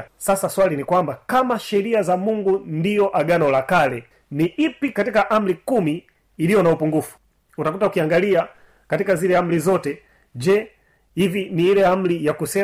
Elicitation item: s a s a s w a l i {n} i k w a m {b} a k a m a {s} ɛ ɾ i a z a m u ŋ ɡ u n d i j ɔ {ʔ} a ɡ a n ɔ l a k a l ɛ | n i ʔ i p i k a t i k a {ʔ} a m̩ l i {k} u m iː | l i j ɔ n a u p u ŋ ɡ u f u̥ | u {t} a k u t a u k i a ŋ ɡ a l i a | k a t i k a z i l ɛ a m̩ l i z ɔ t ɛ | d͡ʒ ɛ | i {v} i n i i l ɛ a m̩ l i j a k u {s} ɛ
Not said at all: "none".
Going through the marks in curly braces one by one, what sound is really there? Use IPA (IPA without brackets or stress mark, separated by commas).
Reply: n, b, ʃ, ʔ, ʔ, k, t, v, s